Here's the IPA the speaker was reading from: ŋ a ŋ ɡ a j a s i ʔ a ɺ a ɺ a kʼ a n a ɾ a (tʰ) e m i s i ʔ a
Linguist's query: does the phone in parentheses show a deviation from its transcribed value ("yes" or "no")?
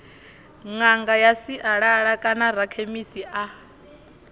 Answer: yes